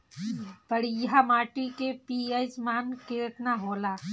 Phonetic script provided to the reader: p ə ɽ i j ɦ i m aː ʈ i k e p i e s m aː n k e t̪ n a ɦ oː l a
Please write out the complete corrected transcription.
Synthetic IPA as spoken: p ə ɽ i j ɦ a m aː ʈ i k e p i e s m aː n k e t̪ n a ɦ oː l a